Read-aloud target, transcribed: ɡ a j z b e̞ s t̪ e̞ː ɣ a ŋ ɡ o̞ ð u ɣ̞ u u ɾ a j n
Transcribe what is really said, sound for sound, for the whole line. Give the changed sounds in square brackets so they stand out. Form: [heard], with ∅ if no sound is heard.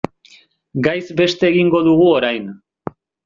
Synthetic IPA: ɡ a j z b e̞ s t̪ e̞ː ɣ [i] ŋ ɡ o̞ ð u ɣ̞ u [o] ɾ a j n